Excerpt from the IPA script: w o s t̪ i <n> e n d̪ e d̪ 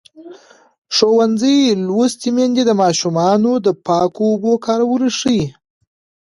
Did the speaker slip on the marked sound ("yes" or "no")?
yes